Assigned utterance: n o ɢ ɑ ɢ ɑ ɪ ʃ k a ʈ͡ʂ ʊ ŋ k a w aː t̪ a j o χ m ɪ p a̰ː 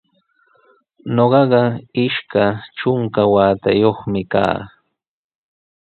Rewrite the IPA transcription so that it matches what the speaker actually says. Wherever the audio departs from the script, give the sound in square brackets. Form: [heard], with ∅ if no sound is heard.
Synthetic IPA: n o ɢ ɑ ɢ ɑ ɪ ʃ k a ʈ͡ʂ ʊ ŋ k a w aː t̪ a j o χ m ɪ [k] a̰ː